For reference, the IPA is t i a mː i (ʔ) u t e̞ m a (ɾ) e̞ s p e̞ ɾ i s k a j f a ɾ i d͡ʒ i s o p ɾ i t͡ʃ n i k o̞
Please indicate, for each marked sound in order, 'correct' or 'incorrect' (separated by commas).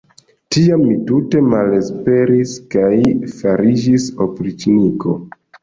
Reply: incorrect, incorrect